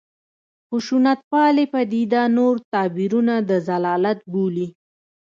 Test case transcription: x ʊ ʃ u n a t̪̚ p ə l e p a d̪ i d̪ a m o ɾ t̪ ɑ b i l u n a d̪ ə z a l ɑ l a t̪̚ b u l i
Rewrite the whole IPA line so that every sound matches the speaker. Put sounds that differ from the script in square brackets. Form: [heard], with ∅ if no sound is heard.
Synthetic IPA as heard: x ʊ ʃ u n a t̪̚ p [ɑ] l e p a d̪ i d̪ a [n] o ɾ t̪ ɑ b i [ɾ] u n a d̪ ə z a l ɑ l a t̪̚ b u l i